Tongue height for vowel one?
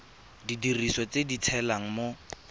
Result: high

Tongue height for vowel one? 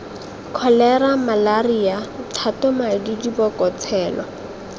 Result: mid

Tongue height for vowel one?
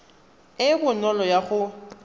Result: high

